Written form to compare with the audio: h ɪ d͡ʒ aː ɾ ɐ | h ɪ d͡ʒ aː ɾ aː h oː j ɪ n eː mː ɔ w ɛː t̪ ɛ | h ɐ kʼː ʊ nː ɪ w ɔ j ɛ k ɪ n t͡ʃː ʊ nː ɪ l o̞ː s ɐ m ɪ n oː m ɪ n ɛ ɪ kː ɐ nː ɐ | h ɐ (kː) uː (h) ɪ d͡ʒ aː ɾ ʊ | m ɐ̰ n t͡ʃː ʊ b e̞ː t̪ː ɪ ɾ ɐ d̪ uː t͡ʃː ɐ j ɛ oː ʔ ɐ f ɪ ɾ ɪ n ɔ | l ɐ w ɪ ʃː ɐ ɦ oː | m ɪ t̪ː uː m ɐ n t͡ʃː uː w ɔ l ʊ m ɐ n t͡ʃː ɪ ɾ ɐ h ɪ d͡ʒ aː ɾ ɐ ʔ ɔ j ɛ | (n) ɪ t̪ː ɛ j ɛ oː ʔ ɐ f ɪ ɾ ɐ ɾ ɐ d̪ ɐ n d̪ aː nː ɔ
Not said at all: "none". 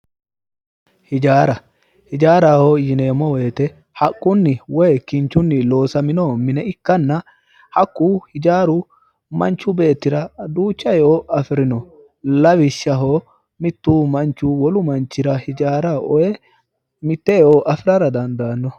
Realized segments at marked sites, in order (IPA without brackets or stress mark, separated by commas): kː, h, m